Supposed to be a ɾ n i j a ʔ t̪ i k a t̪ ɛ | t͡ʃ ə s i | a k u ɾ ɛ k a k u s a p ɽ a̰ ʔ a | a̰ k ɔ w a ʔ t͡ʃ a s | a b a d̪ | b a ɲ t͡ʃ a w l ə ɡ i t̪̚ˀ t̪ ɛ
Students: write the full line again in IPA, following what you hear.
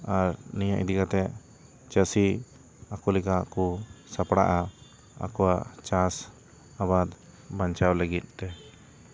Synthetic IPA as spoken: a ɾ n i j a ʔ d̪ i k a t̪ ɛ | t͡ʃ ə s i | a k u l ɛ k a k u s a p ɽ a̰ ʔ a | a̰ k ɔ w a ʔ t͡ʃ a s | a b a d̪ | b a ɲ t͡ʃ a w l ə ɡ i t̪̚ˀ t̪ ɛ